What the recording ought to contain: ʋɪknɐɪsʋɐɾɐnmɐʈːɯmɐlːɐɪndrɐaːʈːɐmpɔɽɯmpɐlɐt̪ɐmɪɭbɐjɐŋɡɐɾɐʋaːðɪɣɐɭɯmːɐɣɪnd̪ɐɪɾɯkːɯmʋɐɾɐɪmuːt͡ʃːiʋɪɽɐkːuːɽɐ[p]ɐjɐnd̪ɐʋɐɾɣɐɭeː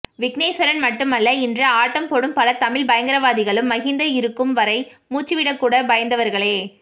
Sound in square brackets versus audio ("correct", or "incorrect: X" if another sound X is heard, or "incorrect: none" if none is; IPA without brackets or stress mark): incorrect: b